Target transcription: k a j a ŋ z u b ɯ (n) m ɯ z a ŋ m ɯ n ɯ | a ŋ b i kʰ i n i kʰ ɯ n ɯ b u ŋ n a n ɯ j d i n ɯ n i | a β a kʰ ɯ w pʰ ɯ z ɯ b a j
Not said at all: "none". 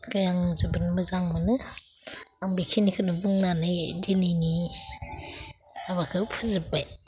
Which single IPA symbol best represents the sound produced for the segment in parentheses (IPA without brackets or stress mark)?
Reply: n